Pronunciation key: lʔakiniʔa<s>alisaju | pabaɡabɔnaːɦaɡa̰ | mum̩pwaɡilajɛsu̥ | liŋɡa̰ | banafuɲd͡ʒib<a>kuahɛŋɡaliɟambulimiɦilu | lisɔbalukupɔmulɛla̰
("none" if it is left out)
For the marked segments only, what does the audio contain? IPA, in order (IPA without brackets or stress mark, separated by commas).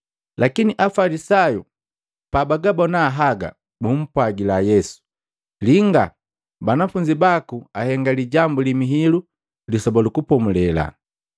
f, a